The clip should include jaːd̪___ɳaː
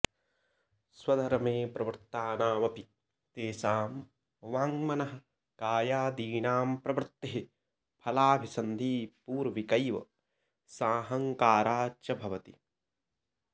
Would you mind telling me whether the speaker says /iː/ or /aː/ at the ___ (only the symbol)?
iː